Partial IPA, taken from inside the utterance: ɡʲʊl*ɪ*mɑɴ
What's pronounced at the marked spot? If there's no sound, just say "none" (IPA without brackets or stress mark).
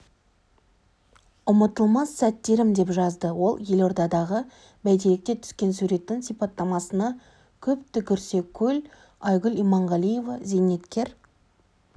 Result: i